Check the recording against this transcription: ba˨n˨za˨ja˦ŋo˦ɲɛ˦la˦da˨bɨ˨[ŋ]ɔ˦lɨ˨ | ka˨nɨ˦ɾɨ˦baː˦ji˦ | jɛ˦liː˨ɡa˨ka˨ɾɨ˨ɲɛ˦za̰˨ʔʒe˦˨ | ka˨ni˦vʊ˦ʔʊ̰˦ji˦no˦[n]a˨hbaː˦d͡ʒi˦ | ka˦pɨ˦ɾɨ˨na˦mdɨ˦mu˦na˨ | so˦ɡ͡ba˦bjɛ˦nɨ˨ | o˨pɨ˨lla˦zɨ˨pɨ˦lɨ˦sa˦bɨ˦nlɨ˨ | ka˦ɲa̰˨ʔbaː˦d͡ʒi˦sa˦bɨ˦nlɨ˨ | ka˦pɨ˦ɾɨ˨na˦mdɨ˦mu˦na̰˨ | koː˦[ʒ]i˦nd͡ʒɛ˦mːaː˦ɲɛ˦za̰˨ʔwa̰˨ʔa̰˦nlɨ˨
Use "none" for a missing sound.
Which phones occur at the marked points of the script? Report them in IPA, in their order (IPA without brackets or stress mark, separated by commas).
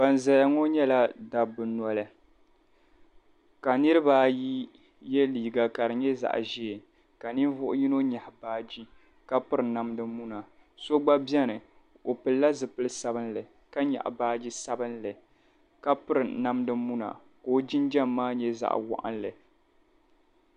n, ɲ, d͡ʒ